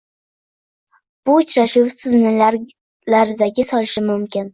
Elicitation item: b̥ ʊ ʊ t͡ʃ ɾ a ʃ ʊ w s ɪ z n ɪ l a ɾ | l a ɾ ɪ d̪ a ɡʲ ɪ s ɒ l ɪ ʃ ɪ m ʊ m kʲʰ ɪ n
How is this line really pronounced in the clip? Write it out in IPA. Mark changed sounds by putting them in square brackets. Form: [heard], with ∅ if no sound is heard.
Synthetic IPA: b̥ ʊ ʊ t͡ʃ ɾ a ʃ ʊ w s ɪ z n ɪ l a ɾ | l a ɾ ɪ d̪ a ɡʲ ɪ s ɒ l ɪ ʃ ɪ m ʊ m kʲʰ ɪ n